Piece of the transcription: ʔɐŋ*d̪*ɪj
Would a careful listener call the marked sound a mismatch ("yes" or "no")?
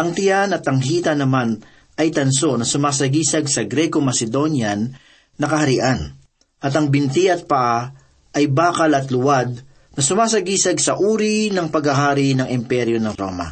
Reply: yes